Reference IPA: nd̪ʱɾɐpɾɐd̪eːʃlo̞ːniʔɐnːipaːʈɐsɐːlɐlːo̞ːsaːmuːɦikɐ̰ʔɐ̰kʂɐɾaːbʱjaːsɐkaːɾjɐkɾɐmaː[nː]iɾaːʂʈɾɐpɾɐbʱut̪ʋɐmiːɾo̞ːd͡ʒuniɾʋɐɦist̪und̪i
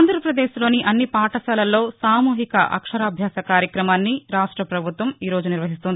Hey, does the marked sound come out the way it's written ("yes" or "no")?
yes